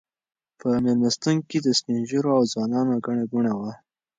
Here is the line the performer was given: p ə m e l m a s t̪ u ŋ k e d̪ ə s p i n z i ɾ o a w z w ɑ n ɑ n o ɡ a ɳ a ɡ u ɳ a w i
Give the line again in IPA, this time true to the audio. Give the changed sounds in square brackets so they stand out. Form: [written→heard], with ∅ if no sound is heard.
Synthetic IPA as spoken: p ə m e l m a s t̪ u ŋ k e d̪ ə s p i n [z→ʒ] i ɾ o a w z w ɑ n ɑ n o ɡ a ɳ a ɡ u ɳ a w [i→a]